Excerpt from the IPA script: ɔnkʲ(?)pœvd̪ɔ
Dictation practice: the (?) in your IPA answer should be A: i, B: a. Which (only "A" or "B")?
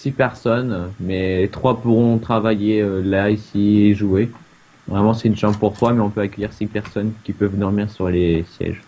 A